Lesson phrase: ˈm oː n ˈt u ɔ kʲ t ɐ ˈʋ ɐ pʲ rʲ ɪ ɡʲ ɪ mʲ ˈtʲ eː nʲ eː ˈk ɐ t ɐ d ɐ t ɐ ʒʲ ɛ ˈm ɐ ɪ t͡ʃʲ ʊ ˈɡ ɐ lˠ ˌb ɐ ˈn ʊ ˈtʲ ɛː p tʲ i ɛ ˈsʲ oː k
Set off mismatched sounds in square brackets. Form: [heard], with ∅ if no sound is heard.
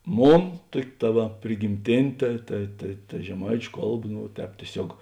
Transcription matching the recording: ˈm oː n ˈt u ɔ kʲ t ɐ ˈʋ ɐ pʲ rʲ ɪ ɡʲ ɪ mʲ ˈtʲ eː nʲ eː [ˈt] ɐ t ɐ [t] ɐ t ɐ ʒʲ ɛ ˈm ɐ ɪ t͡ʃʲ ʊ [ˈk] ɐ lˠ ˌb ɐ ˈn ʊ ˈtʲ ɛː p tʲ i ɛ ˈsʲ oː k